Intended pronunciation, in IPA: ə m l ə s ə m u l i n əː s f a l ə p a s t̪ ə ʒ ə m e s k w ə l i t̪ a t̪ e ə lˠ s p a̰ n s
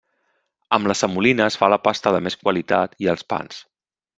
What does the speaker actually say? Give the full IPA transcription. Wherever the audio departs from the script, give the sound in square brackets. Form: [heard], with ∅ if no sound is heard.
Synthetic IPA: ə m l ə s ə m u l i n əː s f a l ə p a s t̪ ə [ð] ə m e s k w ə l i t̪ a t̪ [i] ə lˠ s p a̰ n s